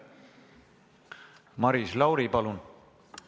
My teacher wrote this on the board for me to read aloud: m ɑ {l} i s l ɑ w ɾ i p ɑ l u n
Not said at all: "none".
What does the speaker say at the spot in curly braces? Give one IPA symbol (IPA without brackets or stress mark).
ɾ